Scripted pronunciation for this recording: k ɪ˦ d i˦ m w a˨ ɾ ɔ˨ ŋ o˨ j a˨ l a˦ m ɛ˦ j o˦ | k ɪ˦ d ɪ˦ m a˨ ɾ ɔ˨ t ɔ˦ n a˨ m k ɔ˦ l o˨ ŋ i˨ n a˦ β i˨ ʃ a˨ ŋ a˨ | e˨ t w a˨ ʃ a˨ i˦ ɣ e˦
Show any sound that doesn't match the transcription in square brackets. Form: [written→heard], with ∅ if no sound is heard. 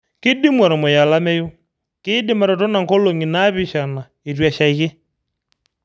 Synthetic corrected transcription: k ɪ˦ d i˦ m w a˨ ɾ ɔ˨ [ŋ→m] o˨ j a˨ l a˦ m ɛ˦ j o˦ | k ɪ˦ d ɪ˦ m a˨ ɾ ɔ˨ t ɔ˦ n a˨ [m→ŋ] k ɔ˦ l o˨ ŋ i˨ n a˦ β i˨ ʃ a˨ [ŋ→n] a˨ | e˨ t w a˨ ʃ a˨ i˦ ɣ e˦